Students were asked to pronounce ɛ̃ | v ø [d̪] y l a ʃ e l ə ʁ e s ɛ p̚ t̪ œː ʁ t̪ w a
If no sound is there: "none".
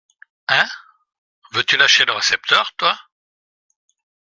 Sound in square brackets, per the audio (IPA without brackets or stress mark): t̪